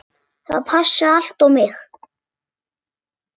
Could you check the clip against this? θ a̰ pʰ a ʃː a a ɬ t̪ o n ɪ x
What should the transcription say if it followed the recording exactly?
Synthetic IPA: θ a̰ pʰ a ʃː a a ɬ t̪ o m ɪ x

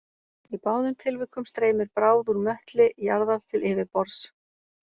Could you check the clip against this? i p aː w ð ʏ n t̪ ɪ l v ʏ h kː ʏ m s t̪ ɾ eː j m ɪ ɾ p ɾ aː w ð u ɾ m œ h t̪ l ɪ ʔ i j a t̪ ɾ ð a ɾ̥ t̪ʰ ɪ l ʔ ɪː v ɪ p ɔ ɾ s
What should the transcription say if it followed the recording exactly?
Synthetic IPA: i p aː w ð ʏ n t̪ʰ ɪ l v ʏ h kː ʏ m s t̪ ɾ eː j m ɪ ɾ p ɾ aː w ð u ɾ m œ h t̪ l ɪ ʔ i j a ɾ ð a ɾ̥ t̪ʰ ɪ l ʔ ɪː v ɪ p ɔ ɾ s

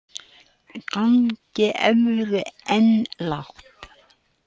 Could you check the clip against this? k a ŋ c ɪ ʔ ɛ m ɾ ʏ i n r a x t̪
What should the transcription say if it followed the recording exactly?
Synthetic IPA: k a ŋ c ɪ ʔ ɛ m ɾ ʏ ɛ n l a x t̪

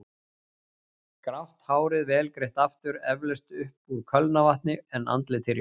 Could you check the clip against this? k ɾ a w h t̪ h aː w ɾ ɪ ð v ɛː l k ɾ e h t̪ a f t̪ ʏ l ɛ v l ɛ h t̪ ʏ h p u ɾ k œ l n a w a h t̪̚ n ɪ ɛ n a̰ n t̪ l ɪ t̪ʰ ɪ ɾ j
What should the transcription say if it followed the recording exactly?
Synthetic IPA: k ɾ a w h t̪ h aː w ɾ ɪ ð v ɛː l k ɾ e h t̪ a f t̪ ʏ ɾ ɛ v l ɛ s t̪ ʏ h p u ɾ kʰ œ l n a v a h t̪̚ n ɪ ɛ n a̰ n t̪ l ɪ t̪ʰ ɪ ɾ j

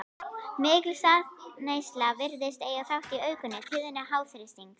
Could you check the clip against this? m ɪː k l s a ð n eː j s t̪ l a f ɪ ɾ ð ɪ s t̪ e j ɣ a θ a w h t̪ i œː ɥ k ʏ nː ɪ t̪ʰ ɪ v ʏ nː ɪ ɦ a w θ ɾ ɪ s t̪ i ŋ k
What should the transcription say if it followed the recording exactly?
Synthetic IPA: m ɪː k l s a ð n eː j s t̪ l a v ɪ ɾ ð ɪ s t̪ e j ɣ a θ a w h t̪ i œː ɥ k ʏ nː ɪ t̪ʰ ɪ ð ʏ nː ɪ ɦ a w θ ɾ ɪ s t̪ i ŋ k

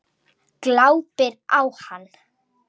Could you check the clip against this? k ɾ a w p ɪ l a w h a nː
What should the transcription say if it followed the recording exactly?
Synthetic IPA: k l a w p ɪ ɾ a w h a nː

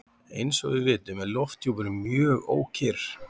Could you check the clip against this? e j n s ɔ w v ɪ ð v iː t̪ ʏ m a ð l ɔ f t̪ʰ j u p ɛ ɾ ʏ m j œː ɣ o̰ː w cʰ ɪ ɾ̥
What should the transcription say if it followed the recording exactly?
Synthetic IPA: e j n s ɔ ɣ v ɪ ð v ɪː t̪ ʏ m ɛ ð l ɔ f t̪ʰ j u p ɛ ɾ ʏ m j œː ɣ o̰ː w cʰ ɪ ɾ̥

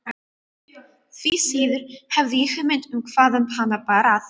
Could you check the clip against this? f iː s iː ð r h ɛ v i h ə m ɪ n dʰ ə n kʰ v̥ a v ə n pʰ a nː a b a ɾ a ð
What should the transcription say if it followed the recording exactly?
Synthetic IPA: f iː s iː ð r h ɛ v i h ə m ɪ n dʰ ə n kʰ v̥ a ð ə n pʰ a n a b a ɾ a ð

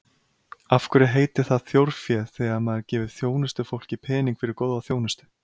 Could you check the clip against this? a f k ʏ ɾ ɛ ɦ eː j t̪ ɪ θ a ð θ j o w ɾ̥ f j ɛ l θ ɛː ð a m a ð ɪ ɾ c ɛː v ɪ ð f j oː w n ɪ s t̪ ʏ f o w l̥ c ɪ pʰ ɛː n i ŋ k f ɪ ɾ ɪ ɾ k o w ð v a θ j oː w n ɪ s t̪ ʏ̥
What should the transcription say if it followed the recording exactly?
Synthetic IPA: a f k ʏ ɾ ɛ ɦ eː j t̪ ɪ θ a ð θ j o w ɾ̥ f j ɛ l θ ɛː ɣ a m a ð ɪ ɾ c ɛː v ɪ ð θ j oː w n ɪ s t̪ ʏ f o w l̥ c ɪ pʰ ɛː n i ŋ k f ɪ ɾ ɪ ɾ k o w ð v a θ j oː w n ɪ s t̪ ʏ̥

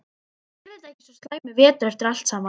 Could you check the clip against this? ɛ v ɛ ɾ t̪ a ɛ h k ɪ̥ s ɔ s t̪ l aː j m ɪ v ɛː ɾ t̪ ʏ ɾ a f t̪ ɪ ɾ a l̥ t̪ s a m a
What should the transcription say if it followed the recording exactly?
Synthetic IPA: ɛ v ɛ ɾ t̪ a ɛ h c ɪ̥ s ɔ s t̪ l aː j m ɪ v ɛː t̪ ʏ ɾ ɛ f t̪ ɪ ɾ a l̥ t̪ s a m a

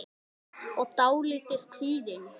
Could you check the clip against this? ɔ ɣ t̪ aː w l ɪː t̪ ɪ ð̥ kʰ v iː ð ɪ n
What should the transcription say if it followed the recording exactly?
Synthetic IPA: ɔ ɣ t̪ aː w l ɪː t̪ ɪ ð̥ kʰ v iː ð ɪ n

